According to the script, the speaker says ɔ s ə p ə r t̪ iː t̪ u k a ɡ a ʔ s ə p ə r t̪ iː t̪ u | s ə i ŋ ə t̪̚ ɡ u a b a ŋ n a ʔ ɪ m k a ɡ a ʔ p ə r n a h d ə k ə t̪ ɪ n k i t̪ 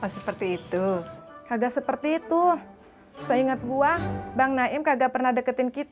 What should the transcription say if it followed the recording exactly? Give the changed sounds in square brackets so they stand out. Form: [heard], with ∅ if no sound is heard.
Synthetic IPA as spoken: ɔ s ə p ə r t̪ iː t̪ u k a ɡ a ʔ s ə p ə r t̪ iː t̪ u | s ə i ŋ ə t̪̚ ɡ u a b a ŋ n a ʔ ɪ m k a ɡ a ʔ p ə r n a h d ə k ə t̪ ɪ n k i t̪